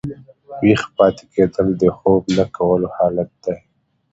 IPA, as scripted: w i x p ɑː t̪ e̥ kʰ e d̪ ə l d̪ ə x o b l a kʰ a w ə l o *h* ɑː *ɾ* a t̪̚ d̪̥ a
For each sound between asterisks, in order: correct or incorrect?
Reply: correct, incorrect

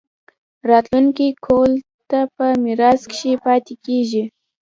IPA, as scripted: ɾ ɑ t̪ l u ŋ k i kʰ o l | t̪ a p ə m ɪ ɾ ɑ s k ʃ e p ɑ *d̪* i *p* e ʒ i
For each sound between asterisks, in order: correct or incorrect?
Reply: incorrect, incorrect

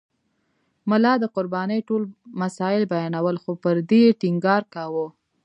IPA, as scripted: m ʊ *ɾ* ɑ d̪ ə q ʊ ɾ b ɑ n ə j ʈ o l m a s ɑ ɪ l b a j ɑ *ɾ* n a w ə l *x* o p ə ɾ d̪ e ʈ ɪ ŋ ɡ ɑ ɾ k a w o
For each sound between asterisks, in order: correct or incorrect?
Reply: incorrect, incorrect, correct

